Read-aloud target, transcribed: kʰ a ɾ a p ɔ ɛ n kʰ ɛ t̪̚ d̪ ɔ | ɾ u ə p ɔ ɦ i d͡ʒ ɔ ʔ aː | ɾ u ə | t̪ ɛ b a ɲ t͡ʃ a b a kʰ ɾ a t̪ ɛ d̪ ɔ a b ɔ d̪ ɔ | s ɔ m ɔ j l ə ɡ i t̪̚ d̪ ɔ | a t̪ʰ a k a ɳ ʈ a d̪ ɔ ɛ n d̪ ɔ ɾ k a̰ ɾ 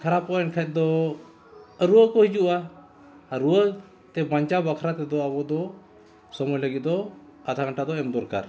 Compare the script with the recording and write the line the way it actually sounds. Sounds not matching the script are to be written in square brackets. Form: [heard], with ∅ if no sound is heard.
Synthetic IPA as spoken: kʰ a ɾ a p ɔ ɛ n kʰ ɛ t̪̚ d̪ ɔ | ɾ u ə [k] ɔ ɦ i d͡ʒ [u] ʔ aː | ɾ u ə | t̪ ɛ b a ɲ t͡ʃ a b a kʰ ɾ a t̪ ɛ d̪ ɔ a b ɔ d̪ ɔ | s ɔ m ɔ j l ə ɡ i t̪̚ d̪ ɔ | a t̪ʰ a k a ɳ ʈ a d̪ ɔ ɛ [m] d̪ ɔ ɾ k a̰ ɾ